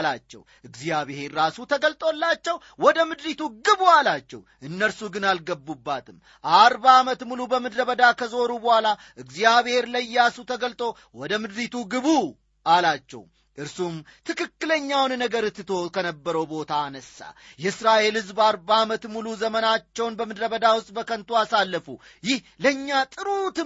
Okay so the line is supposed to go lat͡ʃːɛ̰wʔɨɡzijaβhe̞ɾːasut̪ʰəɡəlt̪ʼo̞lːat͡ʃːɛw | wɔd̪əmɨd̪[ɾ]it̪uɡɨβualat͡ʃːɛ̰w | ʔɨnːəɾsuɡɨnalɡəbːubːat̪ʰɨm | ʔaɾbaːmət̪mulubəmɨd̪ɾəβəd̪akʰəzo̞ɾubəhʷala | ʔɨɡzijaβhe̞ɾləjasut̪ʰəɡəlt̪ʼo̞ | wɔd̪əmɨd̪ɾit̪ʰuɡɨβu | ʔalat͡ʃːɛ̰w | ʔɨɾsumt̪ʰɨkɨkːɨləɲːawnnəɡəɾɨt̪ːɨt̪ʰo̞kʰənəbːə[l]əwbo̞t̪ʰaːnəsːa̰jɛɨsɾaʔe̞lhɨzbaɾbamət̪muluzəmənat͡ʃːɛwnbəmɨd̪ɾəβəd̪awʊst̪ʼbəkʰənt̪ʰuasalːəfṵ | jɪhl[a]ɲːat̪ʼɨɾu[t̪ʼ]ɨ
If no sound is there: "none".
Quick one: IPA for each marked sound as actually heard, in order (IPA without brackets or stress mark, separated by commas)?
ɾ, ɾ, ə, t̪